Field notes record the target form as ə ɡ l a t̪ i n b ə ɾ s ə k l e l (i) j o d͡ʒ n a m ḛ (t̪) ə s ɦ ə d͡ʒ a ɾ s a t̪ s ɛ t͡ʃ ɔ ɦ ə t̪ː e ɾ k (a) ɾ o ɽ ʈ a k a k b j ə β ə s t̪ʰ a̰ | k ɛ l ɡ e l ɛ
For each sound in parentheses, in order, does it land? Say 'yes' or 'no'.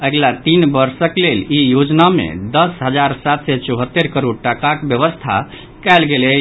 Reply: yes, no, no

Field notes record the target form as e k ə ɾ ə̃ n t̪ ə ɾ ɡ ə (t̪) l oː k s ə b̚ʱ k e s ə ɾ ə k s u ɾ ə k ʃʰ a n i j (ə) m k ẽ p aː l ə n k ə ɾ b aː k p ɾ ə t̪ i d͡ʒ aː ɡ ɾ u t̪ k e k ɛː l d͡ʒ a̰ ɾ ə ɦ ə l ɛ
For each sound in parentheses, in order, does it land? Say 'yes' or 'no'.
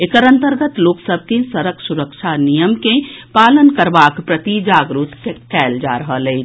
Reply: yes, yes

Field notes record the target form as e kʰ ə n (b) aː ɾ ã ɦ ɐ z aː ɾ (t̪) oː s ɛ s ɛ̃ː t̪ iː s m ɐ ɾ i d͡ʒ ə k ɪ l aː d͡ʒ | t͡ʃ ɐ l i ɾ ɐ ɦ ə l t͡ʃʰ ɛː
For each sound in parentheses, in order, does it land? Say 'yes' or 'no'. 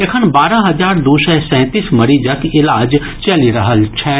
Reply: yes, no

